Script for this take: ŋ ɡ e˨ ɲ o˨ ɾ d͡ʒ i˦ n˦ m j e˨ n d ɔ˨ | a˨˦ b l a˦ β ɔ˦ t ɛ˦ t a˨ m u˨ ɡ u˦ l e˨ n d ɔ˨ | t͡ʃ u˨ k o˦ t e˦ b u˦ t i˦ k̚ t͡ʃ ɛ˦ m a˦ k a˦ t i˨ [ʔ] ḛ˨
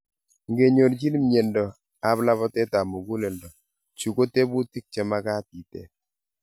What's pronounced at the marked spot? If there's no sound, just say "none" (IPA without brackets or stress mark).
t